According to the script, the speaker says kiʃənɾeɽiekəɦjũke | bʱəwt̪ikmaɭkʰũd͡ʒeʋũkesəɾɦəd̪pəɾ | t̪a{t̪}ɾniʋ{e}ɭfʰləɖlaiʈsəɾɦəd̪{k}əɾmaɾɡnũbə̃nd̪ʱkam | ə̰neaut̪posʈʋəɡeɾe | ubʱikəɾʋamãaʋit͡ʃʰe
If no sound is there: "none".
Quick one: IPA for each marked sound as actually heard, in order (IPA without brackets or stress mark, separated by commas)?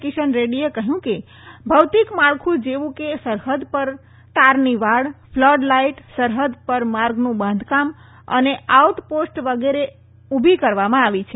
none, a, p